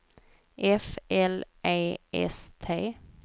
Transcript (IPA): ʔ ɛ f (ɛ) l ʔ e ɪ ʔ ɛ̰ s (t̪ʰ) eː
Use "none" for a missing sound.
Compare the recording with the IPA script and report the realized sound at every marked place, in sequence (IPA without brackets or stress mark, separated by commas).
ɛ, t̪ʰ